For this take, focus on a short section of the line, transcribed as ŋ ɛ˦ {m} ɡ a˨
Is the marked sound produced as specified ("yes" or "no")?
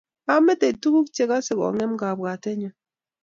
yes